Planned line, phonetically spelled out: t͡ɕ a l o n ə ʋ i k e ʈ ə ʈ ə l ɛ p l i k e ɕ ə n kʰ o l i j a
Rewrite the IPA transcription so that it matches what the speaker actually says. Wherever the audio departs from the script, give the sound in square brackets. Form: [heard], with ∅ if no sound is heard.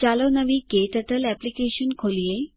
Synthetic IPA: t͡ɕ a l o n ə ʋ i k e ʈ ə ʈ ə l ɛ p l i k e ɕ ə n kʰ o l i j [e]